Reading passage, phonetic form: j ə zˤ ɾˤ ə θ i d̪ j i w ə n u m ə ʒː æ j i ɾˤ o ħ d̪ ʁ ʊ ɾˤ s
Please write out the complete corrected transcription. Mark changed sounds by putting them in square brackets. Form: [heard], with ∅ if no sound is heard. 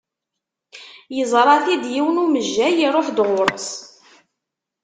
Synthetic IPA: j ə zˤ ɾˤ [ɑ] θ i d̪ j i w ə n u m ə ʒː æ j i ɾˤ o ħ d̪ ʁ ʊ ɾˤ s

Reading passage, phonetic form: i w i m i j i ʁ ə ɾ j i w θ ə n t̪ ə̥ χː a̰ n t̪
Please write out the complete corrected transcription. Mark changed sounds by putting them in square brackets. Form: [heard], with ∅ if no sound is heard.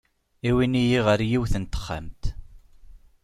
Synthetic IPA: i w i [n] i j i ʁ ə ɾ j i w θ ə n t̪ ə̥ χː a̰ [m] t̪

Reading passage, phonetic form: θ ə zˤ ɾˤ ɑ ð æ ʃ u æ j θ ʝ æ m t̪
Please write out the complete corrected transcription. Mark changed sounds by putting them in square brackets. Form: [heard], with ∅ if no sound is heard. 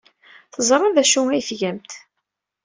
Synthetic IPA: θ ə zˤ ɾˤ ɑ ð æ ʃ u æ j θ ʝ æ m t̪

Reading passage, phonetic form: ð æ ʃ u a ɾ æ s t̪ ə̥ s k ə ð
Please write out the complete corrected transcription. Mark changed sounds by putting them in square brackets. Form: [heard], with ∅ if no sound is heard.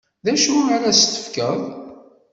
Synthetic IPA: ð æ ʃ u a ɾ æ s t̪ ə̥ [f] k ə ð

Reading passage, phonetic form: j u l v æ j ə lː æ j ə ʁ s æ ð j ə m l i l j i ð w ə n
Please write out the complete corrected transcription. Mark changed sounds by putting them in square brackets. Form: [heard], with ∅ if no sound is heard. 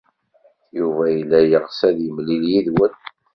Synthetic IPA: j u [∅] v æ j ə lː æ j ə ʁ s æ ð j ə m l i l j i ð w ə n

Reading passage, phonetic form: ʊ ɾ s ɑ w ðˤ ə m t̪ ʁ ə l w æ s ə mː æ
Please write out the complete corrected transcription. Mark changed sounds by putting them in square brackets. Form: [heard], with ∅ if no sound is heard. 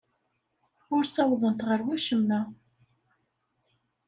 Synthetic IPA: ʊ ɾ s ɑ w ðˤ ə [n] t̪ ʁ ə [ɾ] w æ [ʃ] ə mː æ

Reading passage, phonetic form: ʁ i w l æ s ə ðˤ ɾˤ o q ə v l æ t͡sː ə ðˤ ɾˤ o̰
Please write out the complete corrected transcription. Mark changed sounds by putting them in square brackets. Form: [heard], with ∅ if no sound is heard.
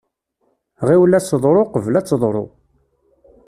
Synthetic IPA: ʁ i w l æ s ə ðˤ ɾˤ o q ə v l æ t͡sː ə ðˤ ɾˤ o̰

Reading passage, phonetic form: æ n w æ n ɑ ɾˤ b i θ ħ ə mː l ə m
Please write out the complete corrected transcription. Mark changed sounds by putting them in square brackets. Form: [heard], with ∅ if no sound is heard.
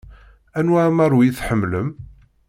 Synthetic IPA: æ n w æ [m] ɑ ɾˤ [w] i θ ħ ə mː l ə m

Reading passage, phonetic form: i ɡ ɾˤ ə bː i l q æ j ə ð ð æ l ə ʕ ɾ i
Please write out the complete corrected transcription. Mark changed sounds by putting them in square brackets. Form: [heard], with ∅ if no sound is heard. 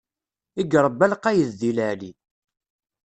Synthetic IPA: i ɡ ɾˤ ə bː [æ] l q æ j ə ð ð [i] l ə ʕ [l] i

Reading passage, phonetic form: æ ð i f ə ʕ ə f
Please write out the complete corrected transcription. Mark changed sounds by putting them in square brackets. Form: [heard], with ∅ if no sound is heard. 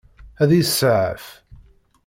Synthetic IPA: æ ð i [s] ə ʕ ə f

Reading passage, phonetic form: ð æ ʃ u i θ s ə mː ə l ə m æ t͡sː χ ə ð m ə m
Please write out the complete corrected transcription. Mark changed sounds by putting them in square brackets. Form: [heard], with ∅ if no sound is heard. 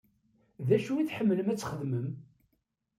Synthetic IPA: ð æ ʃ u i θ [ħ] ə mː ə l ə m æ t͡sː χ ə ð m ə m

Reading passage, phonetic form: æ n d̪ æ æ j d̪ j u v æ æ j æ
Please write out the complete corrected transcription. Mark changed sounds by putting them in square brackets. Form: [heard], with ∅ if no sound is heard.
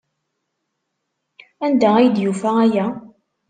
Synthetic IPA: æ n d̪ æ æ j d̪ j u [f] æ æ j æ

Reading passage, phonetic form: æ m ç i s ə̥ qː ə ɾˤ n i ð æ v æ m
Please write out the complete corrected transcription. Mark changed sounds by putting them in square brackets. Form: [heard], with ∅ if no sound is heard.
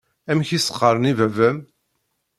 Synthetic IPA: æ m ç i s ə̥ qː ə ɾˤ n i [v] æ v æ m

